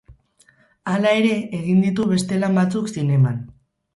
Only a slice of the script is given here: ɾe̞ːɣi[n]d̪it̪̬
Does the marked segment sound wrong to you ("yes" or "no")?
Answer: no